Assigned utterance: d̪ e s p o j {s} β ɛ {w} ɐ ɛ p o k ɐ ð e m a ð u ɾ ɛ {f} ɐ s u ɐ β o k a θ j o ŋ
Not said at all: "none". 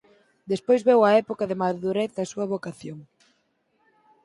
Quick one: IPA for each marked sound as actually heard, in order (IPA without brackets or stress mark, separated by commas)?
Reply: z, w, θ